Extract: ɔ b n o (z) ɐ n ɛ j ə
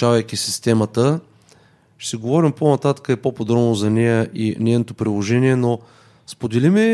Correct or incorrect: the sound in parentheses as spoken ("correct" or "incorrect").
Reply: correct